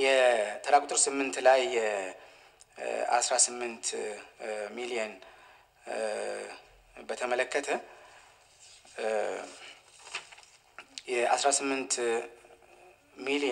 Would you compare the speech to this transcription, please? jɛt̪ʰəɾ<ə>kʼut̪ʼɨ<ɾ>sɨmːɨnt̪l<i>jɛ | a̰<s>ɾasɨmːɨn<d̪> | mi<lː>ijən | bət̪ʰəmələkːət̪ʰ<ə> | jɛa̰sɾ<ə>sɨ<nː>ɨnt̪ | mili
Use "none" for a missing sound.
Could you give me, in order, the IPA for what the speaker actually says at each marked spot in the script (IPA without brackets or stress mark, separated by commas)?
a, ɾ, a, s, t̪, l, ə, a, mː